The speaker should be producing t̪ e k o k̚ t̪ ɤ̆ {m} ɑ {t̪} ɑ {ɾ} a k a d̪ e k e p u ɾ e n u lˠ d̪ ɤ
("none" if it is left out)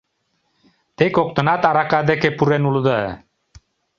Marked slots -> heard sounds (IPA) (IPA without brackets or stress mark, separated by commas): n, t̪, ɾ